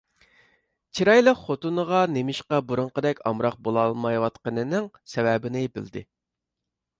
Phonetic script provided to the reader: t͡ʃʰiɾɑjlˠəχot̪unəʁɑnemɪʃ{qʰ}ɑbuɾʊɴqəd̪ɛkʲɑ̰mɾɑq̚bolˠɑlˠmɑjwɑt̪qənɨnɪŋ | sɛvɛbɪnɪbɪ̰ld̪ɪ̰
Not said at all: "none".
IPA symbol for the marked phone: q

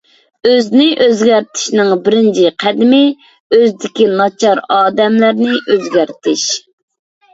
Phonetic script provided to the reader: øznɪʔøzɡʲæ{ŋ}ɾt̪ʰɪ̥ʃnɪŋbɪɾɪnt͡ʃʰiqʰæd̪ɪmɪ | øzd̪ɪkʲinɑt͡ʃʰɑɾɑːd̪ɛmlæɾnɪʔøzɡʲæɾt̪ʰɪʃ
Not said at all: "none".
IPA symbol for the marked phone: none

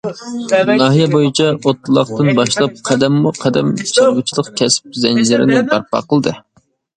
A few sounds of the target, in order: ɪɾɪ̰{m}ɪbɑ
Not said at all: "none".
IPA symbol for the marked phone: n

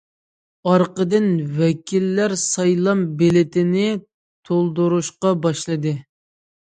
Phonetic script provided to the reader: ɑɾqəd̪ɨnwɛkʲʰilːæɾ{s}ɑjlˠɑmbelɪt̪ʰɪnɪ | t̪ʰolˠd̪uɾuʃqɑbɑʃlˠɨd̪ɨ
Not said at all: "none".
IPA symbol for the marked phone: s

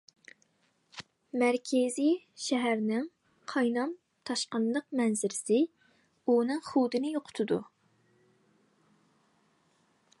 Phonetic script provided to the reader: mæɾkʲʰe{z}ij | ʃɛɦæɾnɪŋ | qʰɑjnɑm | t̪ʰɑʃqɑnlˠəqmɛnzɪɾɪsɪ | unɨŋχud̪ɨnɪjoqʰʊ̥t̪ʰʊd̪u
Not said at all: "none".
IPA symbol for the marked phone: z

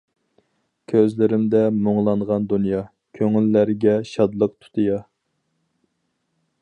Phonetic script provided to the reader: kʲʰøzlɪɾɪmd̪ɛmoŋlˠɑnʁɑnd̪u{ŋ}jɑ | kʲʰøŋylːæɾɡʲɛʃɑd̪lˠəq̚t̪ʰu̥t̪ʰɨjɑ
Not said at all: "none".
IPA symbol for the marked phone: n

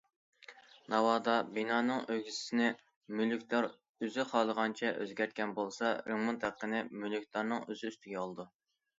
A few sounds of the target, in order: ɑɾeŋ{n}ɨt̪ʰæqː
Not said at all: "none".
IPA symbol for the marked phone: m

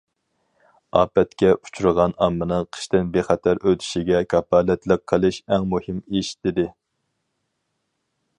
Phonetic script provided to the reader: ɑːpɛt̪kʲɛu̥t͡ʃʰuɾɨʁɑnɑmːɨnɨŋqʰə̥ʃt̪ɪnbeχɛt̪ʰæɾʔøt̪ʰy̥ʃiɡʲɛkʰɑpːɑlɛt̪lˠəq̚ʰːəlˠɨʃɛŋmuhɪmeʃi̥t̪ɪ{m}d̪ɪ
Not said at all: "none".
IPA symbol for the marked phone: none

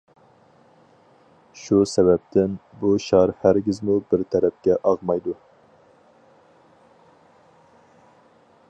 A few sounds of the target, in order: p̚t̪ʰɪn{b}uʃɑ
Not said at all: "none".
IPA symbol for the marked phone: b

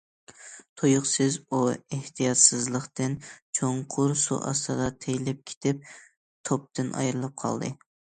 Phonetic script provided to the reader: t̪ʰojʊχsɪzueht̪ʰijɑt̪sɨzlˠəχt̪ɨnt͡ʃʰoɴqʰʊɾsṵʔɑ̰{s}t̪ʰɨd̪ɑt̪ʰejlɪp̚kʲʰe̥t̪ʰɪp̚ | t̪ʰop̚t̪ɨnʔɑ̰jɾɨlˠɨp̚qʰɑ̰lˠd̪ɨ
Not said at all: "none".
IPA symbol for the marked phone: s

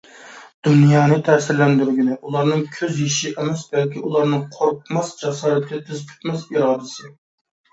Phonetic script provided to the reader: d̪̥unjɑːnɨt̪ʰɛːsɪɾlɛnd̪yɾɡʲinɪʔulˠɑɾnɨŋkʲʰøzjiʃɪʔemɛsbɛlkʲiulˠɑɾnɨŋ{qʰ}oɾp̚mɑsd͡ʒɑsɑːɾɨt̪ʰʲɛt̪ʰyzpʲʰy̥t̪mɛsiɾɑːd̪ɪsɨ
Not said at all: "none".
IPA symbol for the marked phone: qʰ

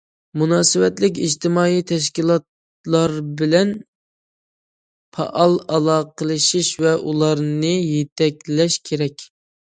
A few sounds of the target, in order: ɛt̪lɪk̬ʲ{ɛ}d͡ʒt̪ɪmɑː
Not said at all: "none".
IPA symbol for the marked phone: i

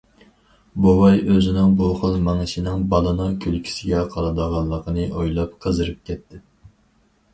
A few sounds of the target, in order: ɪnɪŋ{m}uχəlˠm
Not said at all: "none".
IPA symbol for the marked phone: b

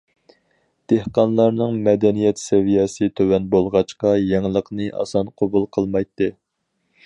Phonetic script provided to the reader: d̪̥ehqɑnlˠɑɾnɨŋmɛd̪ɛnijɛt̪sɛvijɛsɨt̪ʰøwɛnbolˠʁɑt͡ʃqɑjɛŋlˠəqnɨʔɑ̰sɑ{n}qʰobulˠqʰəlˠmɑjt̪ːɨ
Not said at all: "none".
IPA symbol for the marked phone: n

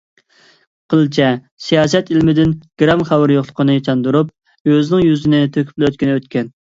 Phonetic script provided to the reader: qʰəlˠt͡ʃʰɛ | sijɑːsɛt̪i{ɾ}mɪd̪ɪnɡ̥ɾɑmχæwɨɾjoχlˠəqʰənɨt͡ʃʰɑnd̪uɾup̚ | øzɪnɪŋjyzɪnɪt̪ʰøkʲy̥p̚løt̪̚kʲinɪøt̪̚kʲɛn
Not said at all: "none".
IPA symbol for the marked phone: l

